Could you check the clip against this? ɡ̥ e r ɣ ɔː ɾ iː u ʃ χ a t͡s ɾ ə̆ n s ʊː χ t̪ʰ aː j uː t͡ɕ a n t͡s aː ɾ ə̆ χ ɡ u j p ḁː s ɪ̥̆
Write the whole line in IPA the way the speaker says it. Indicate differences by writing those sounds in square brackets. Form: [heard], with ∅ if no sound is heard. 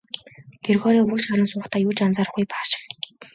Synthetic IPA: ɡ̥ e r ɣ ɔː ɾ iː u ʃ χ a [∅] ɾ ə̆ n s ʊː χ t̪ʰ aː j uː t͡ɕ a n t͡s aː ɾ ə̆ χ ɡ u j p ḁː [ʃ] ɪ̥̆